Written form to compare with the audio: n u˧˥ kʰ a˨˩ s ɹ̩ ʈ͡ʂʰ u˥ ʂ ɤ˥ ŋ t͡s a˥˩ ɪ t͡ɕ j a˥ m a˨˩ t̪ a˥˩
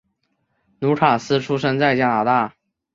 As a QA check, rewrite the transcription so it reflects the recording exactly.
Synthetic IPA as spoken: n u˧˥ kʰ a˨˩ s ɹ̩ ʈ͡ʂʰ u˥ ʂ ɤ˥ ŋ t͡s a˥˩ ɪ t͡ɕ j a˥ n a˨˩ t̪ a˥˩

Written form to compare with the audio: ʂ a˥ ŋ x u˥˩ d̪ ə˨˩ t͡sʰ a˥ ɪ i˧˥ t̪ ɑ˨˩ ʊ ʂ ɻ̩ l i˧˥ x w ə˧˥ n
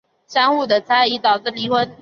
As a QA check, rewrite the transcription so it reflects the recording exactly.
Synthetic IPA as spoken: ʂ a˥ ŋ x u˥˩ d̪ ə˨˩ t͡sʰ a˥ ɪ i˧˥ t̪ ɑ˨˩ ʊ ʈ͡ʂ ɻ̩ l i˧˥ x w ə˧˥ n

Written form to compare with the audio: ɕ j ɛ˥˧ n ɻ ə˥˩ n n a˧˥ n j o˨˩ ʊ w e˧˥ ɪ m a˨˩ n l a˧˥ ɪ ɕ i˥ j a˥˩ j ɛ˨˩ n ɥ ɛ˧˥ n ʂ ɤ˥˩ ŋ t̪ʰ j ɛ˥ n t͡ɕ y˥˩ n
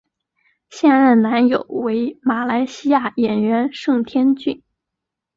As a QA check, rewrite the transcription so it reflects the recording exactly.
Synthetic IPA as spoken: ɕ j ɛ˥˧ n ɻ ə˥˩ n n a˧˥ n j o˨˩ ʊ w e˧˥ ɪ m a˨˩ l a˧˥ ɪ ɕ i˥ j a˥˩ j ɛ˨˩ n ɥ ɛ˧˥ n ʂ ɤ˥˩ ŋ t̪ʰ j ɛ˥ n t͡ɕ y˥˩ n

